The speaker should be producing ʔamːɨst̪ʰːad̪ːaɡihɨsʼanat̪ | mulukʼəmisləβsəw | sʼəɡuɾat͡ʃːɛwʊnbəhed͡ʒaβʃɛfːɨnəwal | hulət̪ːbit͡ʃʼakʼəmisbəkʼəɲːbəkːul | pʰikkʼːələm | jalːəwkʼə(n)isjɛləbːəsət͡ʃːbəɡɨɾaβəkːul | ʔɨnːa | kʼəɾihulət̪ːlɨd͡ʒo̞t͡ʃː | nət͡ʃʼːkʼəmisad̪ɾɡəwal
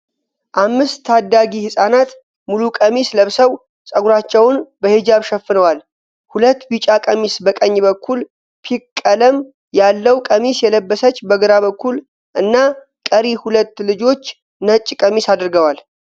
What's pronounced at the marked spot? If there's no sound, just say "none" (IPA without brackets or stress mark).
m